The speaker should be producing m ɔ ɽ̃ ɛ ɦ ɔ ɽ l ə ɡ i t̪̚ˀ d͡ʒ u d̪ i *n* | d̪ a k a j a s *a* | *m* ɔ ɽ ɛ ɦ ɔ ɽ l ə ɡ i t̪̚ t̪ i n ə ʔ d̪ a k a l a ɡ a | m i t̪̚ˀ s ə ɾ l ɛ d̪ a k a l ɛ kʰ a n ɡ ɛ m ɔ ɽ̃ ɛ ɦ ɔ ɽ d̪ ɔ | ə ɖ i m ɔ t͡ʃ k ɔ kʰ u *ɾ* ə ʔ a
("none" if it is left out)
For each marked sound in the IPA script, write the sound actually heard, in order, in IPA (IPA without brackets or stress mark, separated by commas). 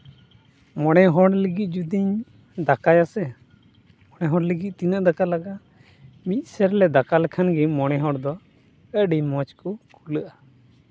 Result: ɲ, ɛ, m, l